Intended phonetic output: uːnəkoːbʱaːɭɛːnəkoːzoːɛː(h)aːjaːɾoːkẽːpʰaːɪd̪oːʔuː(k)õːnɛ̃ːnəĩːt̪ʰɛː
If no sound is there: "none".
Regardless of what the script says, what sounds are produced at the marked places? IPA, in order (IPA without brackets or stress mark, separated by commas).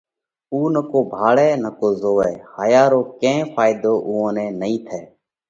h, none